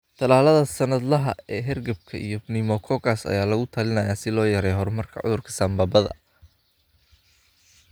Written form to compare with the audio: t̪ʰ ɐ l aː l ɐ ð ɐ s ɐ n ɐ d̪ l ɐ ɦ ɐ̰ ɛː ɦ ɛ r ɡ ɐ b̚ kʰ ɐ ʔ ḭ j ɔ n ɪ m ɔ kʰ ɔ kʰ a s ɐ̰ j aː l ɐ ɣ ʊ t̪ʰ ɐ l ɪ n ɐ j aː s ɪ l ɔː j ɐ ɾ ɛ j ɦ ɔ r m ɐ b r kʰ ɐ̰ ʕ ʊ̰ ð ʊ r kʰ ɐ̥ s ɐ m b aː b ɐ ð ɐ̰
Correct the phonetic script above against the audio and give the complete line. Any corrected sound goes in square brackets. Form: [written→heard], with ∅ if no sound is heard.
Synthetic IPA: t̪ʰ ɐ l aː l ɐ ð ɐ s ɐ n ɐ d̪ l ɐ ɦ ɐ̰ ɛː ɦ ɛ r ɡ ɐ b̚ kʰ ɐ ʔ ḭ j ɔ n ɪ m ɔ kʰ ɔ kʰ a s ɐ̰ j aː l ɐ ɣ ʊ t̪ʰ ɐ l ɪ n ɐ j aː s ɪ l ɔː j ɐ ɾ ɛ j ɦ ɔ r m ɐ [b→∅] r kʰ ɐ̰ ʕ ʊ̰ ð ʊ r kʰ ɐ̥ s ɐ m b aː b ɐ ð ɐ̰